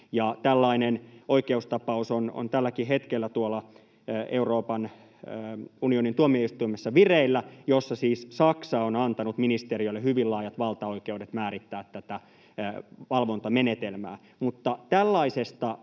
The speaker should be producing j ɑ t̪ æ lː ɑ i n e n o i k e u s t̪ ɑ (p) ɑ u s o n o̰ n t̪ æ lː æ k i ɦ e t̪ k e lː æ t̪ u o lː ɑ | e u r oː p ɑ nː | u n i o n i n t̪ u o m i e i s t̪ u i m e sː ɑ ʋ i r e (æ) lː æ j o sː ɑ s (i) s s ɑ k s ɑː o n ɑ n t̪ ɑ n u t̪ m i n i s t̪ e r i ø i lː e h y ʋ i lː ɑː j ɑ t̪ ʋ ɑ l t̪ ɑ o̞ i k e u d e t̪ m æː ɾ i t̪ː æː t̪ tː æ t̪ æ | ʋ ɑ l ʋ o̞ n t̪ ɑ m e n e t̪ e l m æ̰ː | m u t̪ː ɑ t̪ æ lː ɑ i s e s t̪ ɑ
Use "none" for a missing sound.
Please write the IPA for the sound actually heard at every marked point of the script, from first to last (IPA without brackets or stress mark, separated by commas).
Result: p, i, iː